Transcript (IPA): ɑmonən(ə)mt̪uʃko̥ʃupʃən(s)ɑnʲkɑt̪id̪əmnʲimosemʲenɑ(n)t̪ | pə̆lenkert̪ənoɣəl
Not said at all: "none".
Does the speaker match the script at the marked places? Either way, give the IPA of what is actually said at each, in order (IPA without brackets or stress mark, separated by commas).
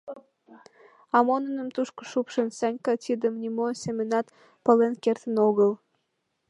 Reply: ə, s, none